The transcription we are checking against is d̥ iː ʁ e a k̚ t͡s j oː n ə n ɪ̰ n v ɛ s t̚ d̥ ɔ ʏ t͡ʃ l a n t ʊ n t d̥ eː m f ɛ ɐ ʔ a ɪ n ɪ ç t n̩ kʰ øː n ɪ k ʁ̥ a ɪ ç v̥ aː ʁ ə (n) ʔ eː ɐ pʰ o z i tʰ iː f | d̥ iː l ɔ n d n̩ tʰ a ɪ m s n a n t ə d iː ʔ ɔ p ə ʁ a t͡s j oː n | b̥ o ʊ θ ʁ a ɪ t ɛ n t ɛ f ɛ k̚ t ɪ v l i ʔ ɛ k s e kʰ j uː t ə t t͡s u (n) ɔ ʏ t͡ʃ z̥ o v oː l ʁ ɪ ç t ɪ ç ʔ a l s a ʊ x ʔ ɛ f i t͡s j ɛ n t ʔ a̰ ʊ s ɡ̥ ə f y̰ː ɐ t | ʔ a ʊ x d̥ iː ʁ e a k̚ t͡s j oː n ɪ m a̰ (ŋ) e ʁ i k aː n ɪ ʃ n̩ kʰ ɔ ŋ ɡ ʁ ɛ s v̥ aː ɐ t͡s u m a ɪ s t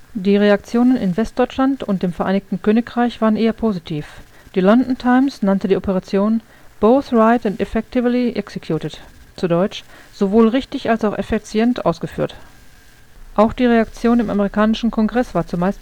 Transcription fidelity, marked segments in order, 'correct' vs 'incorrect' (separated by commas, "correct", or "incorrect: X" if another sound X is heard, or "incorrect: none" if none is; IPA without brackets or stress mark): correct, incorrect: d, incorrect: m